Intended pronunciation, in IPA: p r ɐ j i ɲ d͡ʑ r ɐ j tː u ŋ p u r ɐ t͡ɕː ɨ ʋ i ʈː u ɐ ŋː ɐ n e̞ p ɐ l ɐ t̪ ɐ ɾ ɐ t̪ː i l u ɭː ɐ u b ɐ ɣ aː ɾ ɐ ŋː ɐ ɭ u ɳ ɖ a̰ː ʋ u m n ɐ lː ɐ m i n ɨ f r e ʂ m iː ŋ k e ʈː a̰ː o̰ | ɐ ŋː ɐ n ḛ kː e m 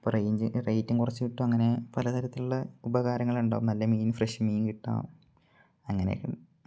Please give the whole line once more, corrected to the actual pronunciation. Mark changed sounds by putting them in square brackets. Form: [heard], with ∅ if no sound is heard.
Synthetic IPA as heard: p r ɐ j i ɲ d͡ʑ r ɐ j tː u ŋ [k] u r ɐ t͡ɕː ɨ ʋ i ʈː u ɐ ŋː ɐ n e̞ p ɐ l ɐ t̪ ɐ ɾ ɐ t̪ː i l u ɭː ɐ u b ɐ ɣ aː ɾ ɐ ŋː ɐ ɭ u ɳ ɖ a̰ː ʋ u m n ɐ lː ɐ m [iː] n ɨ f r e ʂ m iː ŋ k [i] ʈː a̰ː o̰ | ɐ ŋː ɐ n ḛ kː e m

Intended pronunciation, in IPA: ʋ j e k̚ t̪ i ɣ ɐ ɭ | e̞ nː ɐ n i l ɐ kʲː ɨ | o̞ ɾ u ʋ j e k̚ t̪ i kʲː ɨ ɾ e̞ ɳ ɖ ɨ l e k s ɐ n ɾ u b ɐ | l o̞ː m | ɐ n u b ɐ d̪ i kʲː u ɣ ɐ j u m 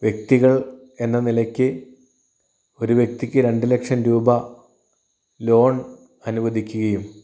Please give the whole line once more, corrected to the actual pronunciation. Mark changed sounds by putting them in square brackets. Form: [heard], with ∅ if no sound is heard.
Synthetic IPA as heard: ʋ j e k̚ t̪ i ɣ ɐ ɭ | e̞ nː ɐ n i l ɐ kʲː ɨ | o̞ ɾ u ʋ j e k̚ t̪ i kʲː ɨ ɾ e̞ ɳ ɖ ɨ l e k [ʂ] ɐ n ɾ [uː] b ɐ | l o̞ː [ɳ] | ɐ n u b ɐ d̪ i kʲː u ɣ ɐ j u m

